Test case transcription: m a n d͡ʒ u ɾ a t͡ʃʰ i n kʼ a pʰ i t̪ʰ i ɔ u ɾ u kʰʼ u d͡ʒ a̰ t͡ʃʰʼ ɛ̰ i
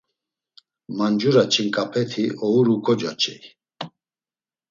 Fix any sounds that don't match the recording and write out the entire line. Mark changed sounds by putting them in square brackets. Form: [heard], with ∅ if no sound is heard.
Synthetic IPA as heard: m a n d͡ʒ u ɾ a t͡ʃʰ i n kʼ a pʰ [ɛ] t̪ʰ i ɔ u ɾ u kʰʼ [ɔ] d͡ʒ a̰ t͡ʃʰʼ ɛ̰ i